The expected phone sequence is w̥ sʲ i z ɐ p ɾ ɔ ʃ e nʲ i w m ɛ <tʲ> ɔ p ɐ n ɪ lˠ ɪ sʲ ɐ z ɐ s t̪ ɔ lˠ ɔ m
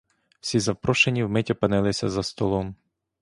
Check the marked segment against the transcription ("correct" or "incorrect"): correct